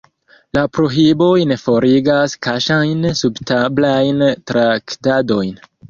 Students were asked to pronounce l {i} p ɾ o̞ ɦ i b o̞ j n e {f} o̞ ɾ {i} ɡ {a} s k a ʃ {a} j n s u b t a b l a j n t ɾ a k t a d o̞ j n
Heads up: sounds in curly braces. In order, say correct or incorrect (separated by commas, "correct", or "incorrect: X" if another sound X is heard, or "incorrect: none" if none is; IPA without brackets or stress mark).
incorrect: a, correct, correct, correct, correct